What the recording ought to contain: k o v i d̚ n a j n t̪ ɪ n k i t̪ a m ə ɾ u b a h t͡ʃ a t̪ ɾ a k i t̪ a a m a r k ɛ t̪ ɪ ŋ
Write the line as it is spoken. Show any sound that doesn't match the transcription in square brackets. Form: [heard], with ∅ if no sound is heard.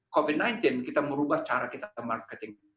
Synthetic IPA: k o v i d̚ n a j n t̪ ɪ n k i t̪ a m ə ɾ u b a h t͡ʃ a [∅] ɾ a k i t̪ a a m a r k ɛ t̪ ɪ ŋ